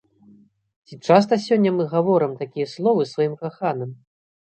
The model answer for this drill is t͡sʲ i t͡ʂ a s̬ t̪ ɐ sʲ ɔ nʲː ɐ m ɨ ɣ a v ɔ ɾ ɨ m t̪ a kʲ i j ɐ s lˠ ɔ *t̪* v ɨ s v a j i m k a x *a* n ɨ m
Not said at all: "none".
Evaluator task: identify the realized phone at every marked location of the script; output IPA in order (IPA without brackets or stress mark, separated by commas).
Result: none, a